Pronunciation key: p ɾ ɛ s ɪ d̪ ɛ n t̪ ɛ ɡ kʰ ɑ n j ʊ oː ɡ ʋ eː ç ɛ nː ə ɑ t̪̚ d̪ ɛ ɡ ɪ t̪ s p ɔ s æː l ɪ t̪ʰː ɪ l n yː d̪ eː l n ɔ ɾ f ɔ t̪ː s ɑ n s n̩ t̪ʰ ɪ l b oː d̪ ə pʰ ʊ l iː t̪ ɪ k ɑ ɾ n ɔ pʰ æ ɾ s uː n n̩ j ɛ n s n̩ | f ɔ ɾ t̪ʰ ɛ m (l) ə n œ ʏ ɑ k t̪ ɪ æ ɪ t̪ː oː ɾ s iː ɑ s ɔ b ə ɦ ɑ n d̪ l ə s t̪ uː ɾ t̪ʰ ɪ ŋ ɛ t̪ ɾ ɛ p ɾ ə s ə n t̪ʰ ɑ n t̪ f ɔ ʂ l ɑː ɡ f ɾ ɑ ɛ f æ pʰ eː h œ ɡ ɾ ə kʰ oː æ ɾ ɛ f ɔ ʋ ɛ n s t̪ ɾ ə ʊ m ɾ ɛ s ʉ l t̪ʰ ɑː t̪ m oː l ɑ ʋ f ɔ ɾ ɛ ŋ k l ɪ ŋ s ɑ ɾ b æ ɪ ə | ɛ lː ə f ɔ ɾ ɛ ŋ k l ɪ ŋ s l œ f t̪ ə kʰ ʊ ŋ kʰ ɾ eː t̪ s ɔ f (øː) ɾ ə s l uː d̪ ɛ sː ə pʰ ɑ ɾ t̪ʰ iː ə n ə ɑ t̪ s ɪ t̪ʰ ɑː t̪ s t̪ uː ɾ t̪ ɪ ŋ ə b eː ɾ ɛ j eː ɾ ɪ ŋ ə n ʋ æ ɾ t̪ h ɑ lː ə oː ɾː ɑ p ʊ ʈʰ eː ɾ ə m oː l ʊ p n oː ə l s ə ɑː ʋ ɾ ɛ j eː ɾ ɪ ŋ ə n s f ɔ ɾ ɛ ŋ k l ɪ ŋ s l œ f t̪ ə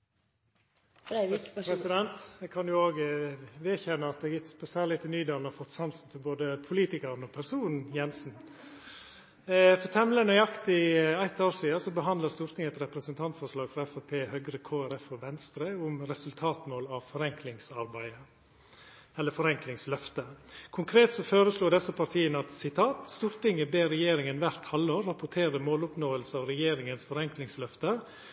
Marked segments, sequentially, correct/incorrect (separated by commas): correct, correct